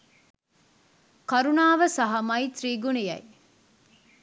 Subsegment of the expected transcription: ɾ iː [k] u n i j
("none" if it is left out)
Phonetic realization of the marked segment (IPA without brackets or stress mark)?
ɡ